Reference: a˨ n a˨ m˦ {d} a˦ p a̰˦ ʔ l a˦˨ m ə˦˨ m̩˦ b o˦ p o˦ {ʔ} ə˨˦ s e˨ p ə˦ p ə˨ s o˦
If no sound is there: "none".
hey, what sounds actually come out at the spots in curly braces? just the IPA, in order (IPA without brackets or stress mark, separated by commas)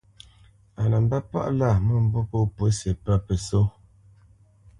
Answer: b, p